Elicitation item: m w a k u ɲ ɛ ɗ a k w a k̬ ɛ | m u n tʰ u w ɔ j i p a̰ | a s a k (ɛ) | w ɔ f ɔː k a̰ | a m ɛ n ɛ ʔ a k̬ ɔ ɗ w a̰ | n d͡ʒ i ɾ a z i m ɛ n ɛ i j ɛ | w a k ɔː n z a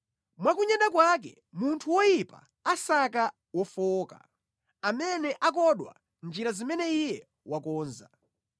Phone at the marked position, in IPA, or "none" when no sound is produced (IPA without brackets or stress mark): a